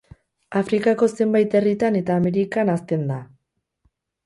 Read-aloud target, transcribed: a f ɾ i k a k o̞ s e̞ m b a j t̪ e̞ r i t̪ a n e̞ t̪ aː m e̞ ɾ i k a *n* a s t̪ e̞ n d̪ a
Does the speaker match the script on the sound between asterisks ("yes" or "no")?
yes